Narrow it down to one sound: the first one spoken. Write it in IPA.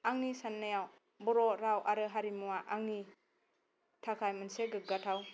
a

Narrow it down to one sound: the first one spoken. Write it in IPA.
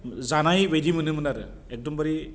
z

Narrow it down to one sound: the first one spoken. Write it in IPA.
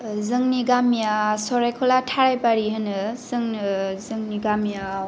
z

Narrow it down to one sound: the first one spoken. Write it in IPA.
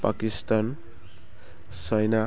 p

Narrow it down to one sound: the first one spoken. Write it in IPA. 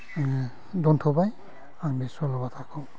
d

